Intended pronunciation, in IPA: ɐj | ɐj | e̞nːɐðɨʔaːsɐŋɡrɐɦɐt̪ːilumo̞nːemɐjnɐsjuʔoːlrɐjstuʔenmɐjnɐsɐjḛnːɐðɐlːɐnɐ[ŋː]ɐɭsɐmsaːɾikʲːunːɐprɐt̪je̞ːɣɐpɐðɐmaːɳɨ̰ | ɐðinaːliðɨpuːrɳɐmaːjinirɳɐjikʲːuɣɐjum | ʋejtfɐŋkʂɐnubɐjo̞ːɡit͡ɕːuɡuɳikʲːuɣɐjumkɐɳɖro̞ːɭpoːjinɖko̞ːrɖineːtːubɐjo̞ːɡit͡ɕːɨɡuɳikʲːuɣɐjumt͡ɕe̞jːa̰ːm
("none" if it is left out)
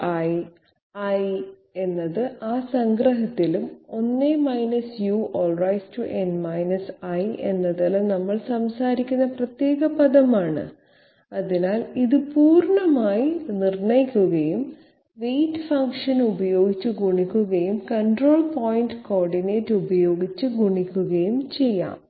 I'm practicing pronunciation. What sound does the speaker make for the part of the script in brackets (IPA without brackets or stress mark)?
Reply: mː